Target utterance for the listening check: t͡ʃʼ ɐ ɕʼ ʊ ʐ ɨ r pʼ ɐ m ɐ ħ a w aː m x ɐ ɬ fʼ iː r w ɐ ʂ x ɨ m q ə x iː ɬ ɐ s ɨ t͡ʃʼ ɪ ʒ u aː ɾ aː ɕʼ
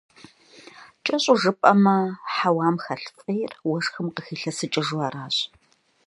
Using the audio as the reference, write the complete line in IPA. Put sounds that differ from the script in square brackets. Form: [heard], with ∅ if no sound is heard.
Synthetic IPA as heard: t͡ʃʼ ɐ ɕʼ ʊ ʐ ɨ [∅] pʼ ɐ m ɐ ħ a w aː m x ɐ ɬ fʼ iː r w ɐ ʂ x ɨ m q ə x iː ɬ ɐ s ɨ t͡ʃʼ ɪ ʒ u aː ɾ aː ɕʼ